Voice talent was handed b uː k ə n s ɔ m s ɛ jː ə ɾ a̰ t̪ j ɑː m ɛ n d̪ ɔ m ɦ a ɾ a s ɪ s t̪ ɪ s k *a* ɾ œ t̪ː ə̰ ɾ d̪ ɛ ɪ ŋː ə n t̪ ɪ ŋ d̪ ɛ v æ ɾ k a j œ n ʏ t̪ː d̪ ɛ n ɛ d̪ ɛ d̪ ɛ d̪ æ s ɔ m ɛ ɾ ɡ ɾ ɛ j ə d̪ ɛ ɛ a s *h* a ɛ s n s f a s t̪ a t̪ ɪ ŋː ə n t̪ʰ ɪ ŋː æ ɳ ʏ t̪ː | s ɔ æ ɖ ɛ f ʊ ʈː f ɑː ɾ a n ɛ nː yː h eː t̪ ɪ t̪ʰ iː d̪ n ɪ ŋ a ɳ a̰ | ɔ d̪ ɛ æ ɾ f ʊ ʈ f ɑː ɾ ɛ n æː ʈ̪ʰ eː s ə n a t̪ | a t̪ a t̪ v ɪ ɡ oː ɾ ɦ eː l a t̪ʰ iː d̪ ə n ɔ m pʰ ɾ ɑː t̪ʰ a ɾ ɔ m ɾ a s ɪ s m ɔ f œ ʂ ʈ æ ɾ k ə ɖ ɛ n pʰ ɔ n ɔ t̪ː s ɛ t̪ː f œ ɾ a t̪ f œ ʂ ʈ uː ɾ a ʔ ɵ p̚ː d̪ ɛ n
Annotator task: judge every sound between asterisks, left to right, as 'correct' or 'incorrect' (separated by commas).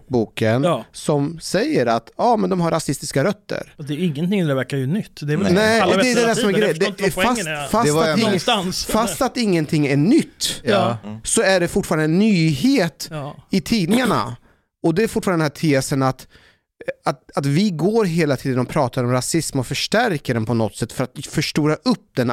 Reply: correct, incorrect